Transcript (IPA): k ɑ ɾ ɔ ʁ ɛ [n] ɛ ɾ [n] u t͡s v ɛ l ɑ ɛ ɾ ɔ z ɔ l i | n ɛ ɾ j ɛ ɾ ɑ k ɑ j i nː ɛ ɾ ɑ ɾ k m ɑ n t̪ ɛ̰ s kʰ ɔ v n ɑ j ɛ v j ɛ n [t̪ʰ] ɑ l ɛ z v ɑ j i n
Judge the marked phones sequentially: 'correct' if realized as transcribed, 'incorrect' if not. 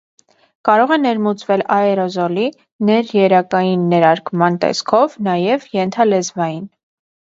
correct, incorrect, correct

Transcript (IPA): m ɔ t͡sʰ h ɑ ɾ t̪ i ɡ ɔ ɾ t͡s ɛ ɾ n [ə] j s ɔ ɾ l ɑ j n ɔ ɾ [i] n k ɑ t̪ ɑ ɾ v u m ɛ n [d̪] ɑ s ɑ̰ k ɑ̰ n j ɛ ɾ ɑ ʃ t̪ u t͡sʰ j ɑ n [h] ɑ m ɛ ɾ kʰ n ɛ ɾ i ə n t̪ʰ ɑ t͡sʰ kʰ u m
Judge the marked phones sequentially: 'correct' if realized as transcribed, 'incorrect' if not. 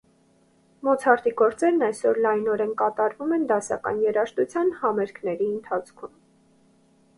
incorrect, incorrect, correct, correct

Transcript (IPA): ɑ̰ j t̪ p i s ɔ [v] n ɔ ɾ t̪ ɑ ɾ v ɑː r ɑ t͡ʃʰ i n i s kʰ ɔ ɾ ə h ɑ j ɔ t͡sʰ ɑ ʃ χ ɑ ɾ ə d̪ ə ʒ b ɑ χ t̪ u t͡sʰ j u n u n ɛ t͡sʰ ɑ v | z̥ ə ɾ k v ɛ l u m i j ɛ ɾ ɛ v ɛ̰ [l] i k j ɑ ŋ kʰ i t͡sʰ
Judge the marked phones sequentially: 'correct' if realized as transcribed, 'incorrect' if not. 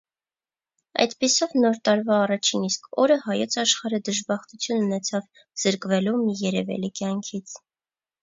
correct, correct

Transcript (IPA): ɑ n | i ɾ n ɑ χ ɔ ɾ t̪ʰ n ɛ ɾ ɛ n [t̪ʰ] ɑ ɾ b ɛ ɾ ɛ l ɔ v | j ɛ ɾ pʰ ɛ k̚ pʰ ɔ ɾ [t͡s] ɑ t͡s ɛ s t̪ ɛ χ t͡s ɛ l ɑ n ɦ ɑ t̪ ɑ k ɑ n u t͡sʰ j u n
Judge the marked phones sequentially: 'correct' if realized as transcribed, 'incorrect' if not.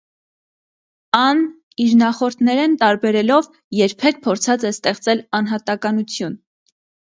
incorrect, incorrect

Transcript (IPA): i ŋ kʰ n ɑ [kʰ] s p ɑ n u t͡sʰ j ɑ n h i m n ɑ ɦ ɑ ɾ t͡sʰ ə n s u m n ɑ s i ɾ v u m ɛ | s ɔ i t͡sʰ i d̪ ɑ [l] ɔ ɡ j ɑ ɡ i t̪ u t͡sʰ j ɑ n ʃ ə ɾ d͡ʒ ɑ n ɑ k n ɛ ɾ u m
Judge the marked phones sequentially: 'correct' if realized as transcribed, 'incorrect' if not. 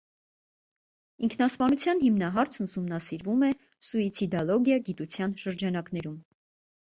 incorrect, correct

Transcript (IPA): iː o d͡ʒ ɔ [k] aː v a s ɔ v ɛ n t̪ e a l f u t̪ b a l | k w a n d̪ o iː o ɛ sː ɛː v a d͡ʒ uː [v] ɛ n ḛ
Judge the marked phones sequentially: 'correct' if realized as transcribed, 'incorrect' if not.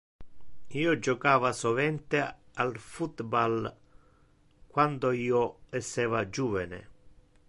correct, correct

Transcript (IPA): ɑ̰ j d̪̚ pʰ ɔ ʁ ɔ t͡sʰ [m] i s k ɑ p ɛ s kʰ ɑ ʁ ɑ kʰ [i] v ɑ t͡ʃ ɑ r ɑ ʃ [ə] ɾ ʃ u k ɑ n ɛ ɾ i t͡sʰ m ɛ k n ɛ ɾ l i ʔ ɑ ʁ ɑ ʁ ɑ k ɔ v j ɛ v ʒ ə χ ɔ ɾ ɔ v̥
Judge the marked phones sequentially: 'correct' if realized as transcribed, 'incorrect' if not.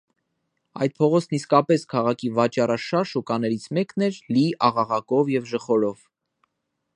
incorrect, correct, incorrect

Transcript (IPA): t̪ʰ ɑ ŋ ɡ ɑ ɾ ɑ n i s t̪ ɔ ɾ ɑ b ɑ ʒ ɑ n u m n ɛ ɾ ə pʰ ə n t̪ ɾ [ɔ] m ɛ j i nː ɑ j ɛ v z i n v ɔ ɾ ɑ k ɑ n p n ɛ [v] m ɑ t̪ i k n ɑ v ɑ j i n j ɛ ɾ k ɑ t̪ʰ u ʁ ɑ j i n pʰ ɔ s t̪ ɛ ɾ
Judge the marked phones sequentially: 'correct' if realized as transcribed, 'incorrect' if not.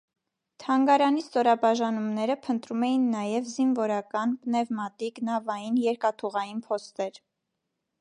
incorrect, correct

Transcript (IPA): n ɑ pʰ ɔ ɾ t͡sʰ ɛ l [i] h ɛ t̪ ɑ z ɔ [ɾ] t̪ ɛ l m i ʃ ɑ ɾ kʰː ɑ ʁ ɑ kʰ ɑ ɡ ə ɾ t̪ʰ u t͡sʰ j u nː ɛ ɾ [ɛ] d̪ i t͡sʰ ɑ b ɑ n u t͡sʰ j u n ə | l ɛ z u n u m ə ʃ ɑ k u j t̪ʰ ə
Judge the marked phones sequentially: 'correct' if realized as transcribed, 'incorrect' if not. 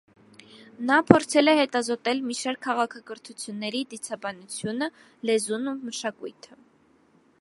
incorrect, incorrect, incorrect

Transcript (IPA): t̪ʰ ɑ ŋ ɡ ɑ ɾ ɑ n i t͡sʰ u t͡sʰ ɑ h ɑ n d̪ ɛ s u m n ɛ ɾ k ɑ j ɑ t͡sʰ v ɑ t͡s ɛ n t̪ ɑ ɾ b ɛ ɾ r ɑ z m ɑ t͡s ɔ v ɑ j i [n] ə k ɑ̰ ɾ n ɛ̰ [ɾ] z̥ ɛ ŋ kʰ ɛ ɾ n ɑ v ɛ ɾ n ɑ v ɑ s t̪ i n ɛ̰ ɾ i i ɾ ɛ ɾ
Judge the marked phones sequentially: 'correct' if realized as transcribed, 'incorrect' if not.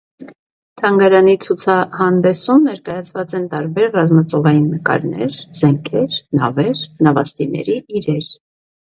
incorrect, correct

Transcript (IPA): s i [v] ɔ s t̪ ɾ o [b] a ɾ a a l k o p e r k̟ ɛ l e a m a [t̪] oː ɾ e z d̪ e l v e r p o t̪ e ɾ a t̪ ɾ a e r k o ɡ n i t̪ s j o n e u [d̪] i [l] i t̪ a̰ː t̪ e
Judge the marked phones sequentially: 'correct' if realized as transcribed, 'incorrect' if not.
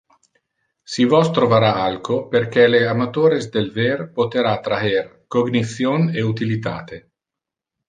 correct, incorrect, correct, incorrect, correct

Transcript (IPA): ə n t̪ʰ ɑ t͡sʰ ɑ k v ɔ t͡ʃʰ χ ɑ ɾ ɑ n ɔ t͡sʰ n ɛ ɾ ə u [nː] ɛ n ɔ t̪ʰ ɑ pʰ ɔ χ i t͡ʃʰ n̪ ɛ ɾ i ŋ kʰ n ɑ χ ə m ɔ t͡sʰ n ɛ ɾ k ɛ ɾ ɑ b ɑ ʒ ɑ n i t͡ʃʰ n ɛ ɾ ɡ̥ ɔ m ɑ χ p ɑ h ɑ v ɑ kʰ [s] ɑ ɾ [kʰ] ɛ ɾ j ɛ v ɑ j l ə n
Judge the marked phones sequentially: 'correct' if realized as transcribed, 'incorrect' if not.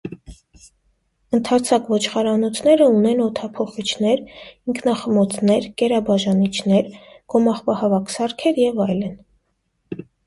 incorrect, correct, correct

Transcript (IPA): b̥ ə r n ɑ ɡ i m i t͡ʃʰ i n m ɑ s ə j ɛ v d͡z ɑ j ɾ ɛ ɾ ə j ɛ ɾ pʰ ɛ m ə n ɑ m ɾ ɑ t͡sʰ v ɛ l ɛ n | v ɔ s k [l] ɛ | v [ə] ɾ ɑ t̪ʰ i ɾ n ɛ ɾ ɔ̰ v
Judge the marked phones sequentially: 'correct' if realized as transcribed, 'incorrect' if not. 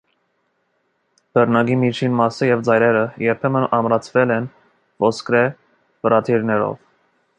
incorrect, correct

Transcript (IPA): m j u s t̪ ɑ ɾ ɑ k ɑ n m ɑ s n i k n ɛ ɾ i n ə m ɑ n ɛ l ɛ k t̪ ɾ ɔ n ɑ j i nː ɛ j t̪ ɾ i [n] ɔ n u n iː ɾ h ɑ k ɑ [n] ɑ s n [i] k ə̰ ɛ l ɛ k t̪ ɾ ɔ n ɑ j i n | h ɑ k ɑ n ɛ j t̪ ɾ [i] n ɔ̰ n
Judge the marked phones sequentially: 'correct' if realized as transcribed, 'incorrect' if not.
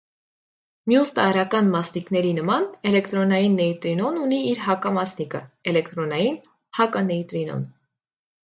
correct, incorrect, correct, correct

